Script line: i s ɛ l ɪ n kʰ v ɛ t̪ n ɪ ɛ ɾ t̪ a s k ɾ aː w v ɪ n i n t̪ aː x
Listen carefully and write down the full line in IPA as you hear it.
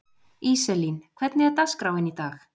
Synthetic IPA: i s ɛ l i n kʰ v ɛ t̪ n ɪ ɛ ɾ t̪ a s k ɾ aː w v ɪ n i t̪ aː x